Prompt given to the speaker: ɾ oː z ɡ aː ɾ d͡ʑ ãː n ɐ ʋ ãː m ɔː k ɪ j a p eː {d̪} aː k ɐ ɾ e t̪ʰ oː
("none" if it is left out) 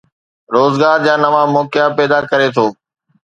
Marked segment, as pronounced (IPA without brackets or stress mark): d̪